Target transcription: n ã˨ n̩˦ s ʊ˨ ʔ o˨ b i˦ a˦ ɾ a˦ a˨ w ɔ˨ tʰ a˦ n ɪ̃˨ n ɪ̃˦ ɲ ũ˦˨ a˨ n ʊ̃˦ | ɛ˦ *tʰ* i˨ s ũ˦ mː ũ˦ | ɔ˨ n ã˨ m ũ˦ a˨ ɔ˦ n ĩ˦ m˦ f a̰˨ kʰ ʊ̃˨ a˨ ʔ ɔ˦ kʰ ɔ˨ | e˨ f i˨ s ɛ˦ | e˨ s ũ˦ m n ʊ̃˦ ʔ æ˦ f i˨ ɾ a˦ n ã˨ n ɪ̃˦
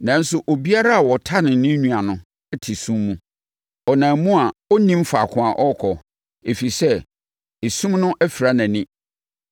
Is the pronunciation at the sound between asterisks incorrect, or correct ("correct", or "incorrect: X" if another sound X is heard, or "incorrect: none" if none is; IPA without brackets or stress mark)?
correct